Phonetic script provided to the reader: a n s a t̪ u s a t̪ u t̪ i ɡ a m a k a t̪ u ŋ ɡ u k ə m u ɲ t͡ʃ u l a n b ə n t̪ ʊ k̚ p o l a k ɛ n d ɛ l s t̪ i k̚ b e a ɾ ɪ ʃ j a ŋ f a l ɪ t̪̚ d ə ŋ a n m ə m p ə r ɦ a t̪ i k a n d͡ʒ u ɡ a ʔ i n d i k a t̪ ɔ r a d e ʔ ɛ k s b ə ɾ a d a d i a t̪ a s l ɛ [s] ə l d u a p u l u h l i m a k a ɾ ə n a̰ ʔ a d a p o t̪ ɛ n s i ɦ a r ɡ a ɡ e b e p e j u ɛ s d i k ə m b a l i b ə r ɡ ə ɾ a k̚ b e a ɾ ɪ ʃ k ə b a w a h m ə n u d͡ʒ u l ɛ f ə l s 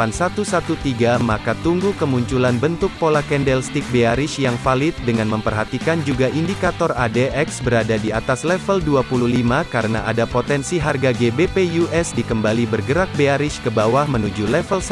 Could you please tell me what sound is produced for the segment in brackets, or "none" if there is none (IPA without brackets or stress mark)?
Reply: f